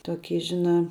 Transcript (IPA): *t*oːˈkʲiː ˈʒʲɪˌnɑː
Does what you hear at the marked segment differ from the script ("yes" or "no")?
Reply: no